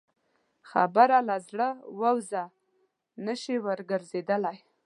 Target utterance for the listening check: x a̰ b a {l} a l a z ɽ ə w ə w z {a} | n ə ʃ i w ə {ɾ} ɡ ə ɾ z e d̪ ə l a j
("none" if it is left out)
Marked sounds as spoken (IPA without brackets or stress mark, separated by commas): ɾ, a, ɾ